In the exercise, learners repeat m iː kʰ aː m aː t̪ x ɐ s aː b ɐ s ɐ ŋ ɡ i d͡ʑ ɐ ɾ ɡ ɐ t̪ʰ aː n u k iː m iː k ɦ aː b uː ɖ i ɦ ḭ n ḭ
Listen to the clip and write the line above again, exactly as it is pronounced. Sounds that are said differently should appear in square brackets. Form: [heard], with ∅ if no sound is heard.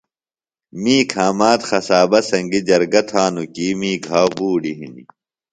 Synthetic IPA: m iː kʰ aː m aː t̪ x ɐ s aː b ɐ s ɐ ŋ ɡ i d͡ʑ ɐ ɾ ɡ ɐ t̪ʰ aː n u k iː m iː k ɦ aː b uː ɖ i ɦ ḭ n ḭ

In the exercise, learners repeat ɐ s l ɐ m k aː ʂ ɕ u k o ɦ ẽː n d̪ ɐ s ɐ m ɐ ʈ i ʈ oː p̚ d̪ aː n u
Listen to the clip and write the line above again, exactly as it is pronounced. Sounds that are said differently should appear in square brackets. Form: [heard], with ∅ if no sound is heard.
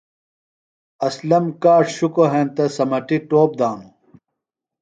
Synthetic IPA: ɐ s l ɐ m k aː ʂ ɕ u k o ɦ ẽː n [t̪] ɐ s ɐ m ɐ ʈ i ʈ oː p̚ d̪ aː n u

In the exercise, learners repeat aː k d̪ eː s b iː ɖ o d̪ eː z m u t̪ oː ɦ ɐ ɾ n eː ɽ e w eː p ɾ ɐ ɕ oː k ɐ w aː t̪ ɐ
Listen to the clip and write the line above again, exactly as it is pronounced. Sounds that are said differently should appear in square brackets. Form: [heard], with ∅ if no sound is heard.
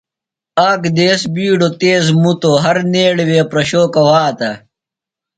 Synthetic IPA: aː k d̪ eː s b iː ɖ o [t̪] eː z m u t̪ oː ɦ ɐ ɾ n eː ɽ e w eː p ɾ ɐ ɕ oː k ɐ w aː t̪ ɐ

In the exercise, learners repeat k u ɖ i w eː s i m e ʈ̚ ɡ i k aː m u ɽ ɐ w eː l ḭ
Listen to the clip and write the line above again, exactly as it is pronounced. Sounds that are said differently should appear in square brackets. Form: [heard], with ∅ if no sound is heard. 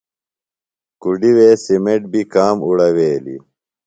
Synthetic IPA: k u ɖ i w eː s i m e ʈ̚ [b] i k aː m u ɽ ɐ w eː l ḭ

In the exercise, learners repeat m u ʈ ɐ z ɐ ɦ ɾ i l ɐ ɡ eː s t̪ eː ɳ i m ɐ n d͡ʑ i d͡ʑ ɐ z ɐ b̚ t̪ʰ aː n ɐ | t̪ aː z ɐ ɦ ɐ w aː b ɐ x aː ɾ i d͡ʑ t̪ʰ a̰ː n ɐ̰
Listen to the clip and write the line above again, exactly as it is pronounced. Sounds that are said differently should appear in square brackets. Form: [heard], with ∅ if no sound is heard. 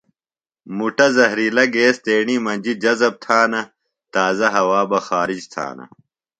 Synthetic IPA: m u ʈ ɐ z ɐ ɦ ɾ i l ɐ ɡ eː s t̪ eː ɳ i m ɐ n d͡ʑ i d͡ʑ ɐ z ɐ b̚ t̪ʰ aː n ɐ | t̪ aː z ɐ ɦ ɐ w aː b ɐ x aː ɾ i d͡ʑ t̪ʰ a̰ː n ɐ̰

